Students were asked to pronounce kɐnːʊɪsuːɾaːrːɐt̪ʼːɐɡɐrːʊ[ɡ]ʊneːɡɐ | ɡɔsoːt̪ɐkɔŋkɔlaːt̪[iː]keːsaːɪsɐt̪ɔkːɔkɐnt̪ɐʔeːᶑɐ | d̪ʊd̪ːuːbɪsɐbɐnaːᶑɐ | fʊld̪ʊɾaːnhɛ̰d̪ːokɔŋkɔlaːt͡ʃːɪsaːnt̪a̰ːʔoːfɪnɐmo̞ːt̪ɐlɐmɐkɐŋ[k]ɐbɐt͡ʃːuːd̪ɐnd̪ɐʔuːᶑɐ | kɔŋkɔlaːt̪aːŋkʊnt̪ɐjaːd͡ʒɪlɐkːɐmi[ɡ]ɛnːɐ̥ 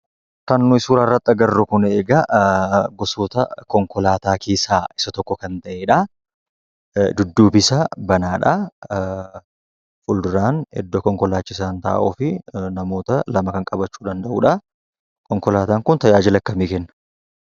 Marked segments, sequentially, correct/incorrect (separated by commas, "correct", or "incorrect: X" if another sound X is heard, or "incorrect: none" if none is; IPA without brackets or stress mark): incorrect: k, incorrect: aː, incorrect: kʼ, incorrect: k